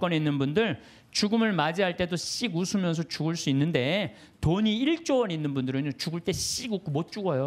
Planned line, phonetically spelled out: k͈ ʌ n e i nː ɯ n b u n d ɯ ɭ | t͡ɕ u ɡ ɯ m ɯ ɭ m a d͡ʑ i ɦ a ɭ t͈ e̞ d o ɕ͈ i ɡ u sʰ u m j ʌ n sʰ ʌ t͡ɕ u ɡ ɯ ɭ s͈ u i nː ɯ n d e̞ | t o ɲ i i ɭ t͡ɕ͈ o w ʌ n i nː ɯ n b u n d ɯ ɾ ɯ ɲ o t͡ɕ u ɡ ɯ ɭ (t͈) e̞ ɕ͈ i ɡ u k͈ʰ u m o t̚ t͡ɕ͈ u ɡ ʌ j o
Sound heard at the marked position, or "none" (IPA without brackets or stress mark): t͈